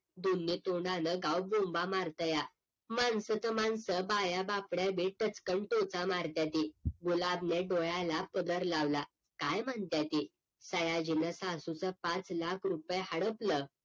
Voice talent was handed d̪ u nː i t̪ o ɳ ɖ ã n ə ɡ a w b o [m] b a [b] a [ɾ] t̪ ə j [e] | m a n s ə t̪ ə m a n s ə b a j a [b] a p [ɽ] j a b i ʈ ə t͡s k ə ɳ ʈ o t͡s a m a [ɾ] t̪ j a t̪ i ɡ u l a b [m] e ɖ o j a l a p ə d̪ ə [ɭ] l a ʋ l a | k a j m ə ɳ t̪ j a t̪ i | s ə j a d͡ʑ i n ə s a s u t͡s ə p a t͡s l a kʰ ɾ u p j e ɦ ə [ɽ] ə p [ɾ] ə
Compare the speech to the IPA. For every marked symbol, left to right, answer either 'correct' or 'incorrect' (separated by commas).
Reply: correct, incorrect, correct, incorrect, correct, correct, correct, incorrect, incorrect, correct, incorrect